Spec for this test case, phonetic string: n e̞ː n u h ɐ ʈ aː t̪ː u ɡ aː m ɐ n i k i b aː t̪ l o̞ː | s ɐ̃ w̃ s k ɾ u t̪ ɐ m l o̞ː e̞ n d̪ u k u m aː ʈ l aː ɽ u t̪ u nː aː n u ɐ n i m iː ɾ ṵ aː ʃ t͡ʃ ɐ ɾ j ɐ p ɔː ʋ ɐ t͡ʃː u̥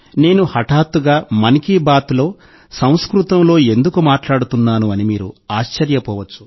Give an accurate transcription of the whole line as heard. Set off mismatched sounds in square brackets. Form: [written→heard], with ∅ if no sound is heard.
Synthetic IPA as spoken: n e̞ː n u h ɐ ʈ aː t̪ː u ɡ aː m ɐ n i k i b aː t̪ l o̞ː | s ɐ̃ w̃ s k ɾ u t̪ ɐ m l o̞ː e̞ n d̪ u k u m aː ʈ l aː ɽ u t̪ u nː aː n u ɐ n i m iː ɾ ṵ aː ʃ t͡ʃ ɐ ɾ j ɐ p ɔː ʋ ɐ t͡ʃː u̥